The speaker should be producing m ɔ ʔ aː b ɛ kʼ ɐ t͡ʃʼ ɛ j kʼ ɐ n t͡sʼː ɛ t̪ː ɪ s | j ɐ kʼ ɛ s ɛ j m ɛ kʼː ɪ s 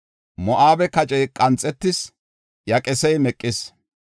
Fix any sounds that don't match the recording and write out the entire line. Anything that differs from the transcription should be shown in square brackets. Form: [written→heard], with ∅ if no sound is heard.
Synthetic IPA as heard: m ɔ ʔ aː b ɛ [kʼ→k] ɐ t͡ʃʼ ɛ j kʼ ɐ n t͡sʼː ɛ t̪ː ɪ s | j ɐ kʼ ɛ s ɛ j m ɛ kʼː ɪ s